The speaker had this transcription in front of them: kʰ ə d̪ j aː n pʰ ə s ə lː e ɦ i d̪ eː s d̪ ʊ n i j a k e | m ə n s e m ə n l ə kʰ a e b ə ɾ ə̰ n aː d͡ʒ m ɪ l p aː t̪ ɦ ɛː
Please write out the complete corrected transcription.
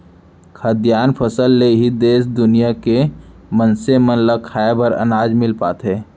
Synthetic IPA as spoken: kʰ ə d̪ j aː n pʰ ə s ə lː e ɦ i d̪ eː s d̪ ʊ n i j a k e | m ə n s e m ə n l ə kʰ a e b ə ɾ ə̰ n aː d͡ʒ m ɪ l p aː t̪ ɦ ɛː

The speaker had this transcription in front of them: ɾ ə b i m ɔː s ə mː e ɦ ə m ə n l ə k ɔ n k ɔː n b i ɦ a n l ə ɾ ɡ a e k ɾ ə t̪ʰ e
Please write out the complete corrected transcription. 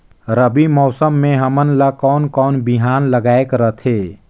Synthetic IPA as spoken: ɾ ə b i m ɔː s ə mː e ɦ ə m ə n l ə k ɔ n k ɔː n b i ɦ a n l ə ɡ a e k ɾ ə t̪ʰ e

